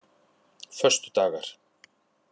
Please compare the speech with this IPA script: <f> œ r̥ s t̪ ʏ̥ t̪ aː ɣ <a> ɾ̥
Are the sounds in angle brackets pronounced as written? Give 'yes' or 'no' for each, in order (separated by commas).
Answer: yes, yes